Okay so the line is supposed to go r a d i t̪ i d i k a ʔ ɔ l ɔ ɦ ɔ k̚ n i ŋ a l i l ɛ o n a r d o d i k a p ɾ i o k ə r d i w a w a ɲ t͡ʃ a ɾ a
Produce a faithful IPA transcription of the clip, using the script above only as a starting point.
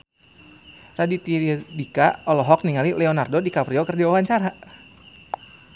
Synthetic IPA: r a d i t̪ i d i k a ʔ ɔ l ɔ ɦ ɔ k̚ n i ŋ a l i l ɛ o n a r d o d i k a p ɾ i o k ə r d i w a w a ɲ t͡ʃ a ɾ a